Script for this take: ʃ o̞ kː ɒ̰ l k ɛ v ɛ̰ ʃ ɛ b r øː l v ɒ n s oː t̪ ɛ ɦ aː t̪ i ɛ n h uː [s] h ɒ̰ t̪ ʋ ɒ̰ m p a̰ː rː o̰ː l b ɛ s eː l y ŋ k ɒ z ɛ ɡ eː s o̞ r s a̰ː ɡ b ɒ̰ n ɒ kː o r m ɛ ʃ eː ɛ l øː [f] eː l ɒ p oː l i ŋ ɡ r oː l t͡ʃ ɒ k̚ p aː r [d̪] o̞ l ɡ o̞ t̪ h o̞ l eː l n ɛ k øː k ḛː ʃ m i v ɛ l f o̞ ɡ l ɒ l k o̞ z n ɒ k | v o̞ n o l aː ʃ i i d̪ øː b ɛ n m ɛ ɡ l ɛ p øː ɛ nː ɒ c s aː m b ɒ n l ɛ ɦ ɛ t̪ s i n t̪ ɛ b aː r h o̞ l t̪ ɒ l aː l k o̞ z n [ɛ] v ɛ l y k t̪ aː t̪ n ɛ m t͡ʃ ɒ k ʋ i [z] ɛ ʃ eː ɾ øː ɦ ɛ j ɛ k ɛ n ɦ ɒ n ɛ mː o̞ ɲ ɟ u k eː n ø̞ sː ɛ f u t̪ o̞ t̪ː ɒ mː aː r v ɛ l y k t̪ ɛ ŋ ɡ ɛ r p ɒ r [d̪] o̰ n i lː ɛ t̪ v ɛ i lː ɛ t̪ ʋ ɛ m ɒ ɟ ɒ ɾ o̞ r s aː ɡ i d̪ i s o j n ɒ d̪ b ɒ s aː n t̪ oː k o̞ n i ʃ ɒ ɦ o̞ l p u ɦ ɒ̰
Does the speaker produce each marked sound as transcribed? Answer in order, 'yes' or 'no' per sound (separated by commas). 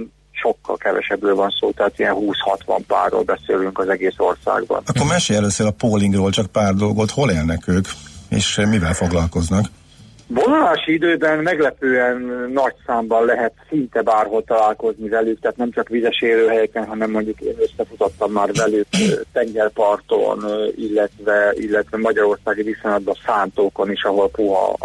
yes, no, yes, no, yes, no